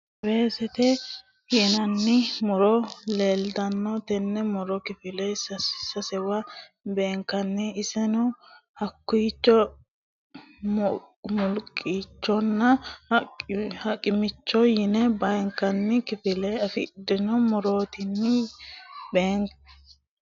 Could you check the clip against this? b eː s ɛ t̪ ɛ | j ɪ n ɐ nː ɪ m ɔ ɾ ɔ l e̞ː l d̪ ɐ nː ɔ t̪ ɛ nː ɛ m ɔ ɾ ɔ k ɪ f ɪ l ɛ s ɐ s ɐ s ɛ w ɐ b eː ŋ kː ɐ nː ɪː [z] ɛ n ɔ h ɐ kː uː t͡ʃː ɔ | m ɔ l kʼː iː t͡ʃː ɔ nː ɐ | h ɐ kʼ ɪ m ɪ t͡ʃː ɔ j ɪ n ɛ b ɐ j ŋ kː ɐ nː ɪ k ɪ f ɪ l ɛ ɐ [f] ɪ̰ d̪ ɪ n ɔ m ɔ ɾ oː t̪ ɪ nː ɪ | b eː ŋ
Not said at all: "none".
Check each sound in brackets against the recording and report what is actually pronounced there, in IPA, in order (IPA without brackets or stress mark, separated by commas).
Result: s, f